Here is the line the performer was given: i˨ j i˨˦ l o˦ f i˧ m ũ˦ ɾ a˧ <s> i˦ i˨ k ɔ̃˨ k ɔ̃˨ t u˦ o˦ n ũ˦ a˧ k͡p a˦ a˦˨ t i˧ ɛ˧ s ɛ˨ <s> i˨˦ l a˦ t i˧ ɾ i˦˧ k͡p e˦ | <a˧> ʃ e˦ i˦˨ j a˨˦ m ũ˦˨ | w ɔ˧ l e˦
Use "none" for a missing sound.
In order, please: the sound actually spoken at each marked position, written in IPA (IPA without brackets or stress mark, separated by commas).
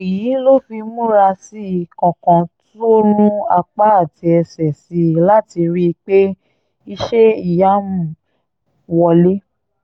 s, s, i˧